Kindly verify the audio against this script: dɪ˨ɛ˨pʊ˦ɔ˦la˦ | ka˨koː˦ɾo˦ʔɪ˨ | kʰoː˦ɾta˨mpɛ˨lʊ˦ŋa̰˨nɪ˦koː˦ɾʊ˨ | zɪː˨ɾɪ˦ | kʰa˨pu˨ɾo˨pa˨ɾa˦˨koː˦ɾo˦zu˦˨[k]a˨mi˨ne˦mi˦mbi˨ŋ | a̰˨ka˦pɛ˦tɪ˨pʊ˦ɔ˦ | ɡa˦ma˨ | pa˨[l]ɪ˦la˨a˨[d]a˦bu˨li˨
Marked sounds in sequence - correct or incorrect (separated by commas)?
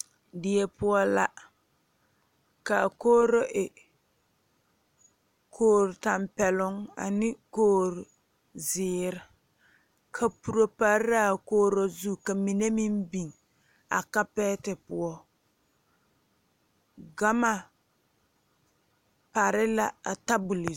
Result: correct, incorrect, incorrect